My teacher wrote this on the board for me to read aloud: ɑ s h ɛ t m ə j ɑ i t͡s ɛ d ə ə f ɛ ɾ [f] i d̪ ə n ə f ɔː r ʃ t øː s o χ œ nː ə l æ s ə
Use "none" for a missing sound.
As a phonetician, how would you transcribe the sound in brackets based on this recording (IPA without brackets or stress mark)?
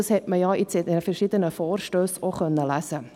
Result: ʃ